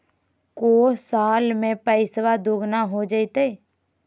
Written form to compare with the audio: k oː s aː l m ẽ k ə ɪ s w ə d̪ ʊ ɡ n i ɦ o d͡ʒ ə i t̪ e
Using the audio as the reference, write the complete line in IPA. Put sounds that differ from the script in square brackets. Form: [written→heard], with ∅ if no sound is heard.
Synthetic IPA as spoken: k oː s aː l m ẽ [k→p] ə ɪ s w [ə→a] d̪ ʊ ɡ n [i→a] ɦ o d͡ʒ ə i t̪ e